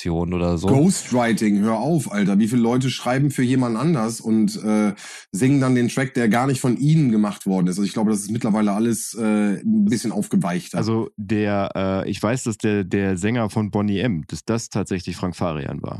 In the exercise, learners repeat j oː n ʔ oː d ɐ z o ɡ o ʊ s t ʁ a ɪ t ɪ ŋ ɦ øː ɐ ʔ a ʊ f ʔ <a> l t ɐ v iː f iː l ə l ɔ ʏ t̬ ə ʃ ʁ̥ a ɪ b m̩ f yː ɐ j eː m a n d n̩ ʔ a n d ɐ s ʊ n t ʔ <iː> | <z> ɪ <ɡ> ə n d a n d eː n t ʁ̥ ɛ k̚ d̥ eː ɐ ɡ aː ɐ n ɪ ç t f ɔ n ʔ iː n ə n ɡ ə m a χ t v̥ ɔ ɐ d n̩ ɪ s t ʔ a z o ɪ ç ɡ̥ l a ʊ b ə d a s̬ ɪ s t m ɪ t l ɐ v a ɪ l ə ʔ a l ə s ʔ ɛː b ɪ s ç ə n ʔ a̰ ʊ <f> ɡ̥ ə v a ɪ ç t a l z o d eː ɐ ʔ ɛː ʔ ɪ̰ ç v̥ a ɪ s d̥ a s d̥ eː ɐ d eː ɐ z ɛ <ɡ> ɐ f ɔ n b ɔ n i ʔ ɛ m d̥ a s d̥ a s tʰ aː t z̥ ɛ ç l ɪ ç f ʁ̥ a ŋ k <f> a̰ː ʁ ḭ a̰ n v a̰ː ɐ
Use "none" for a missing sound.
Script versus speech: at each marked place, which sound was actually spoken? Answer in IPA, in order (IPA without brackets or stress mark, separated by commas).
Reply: a, ɛː, z, ŋ, f, ŋ, f